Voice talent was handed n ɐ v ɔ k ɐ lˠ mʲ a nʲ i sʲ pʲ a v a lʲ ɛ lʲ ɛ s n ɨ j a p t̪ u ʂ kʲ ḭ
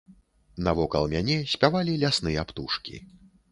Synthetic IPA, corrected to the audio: n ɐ v ɔ k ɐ lˠ mʲ a nʲ ɛ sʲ pʲ a v a lʲ i lʲ a s n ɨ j a p t̪ u ʂ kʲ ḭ